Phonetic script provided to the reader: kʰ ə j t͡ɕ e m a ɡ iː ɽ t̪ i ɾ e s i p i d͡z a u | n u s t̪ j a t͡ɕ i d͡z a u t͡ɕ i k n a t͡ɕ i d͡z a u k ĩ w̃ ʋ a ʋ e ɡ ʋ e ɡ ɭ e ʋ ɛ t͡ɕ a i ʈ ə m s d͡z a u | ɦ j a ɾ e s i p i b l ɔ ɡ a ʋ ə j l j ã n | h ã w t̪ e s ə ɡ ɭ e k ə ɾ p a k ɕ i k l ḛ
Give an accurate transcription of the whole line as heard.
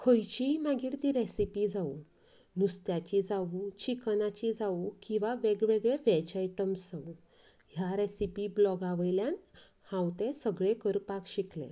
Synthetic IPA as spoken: kʰ ə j t͡ɕ i m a ɡ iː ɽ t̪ i ɾ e s i p i d͡z a u | n u s t̪ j a t͡ɕ i d͡z a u t͡ɕ i k n a t͡ɕ i d͡z a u k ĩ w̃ ʋ a ʋ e ɡ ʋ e ɡ ɭ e ʋ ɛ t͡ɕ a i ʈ ə m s d͡z a u | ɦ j a ɾ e s i p i b l ɔ ɡ a ʋ ə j l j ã n | h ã w t̪ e s ə ɡ ɭ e k ə ɾ p a k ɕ i k l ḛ

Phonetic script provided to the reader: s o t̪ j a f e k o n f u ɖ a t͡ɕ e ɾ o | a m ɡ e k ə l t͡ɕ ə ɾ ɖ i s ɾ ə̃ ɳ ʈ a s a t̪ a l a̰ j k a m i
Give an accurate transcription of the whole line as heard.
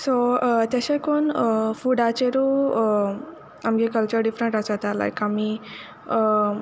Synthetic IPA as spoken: s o t̪ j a ɕ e k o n f u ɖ a t͡ɕ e ɾ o | a m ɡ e k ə l t͡ɕ ə ɾ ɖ i f ɾ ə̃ ɳ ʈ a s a t̪ a l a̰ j k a m i

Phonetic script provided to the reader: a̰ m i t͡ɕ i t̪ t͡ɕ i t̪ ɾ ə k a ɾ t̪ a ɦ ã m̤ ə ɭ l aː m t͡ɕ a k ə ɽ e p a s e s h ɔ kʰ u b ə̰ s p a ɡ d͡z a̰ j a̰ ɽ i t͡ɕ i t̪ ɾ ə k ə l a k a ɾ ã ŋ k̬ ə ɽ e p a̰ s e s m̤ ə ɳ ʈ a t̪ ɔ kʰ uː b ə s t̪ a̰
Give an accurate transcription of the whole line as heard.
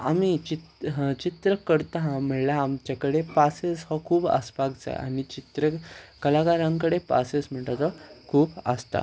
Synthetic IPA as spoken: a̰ m i t͡ɕ i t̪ t͡ɕ i t̪ ɾ ə k ə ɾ t̪ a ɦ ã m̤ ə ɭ l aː m t͡ɕ a k ə ɽ e p a s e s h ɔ kʰ uː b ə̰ s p a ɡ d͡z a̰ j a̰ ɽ i t͡ɕ i t̪ ɾ ə k ə l a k a ɾ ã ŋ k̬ ə ɽ e p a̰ s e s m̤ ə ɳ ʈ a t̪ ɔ kʰ uː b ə s t̪ a̰

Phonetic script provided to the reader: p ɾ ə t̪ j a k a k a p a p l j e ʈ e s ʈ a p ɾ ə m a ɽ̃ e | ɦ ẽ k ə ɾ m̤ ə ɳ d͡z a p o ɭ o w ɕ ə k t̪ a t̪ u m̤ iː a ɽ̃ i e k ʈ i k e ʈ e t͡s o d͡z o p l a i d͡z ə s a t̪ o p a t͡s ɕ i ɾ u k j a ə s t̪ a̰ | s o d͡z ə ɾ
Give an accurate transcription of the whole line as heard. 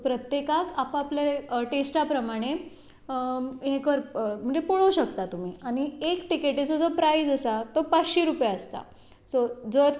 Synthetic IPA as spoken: p ɾ ə t̪ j e k a k a p a p l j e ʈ e s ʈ a p ɾ ə m a ɽ̃ e | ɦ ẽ k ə ɾ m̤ ə ɳ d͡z e p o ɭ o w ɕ ə k t̪ a t̪ u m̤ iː a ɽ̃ i e k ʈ i k e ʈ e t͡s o d͡z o p ɾ a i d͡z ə s a t̪ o p a t͡s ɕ i ɾ u p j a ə s t̪ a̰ | s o d͡z ə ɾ

